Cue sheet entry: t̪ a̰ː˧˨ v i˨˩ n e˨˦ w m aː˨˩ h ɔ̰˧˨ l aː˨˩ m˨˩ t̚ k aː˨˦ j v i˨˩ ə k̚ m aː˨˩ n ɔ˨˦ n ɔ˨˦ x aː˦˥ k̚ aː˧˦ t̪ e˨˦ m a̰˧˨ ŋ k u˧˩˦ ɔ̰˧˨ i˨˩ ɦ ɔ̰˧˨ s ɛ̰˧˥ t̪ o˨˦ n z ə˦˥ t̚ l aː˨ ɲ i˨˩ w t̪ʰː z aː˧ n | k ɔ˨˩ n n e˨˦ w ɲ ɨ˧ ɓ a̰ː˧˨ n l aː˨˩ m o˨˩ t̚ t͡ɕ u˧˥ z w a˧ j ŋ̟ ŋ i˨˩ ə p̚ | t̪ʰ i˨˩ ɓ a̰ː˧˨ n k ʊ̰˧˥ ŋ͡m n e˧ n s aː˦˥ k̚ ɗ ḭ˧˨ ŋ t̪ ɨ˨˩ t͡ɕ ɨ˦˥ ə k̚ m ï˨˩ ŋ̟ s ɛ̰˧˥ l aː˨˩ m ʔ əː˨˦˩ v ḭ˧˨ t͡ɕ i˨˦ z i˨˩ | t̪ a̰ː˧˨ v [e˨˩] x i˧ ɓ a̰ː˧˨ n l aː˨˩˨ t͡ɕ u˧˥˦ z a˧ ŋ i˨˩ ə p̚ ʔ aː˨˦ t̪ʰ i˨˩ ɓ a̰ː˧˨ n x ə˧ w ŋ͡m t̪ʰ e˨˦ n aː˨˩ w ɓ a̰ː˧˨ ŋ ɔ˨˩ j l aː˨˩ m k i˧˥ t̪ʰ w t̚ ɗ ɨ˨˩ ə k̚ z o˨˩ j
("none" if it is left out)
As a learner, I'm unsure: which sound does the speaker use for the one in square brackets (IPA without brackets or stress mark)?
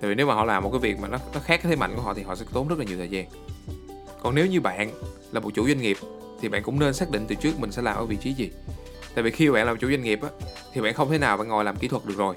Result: i˨˩